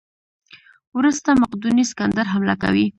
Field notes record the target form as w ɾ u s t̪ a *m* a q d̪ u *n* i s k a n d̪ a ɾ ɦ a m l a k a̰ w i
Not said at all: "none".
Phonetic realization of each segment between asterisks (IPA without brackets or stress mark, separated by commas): m, n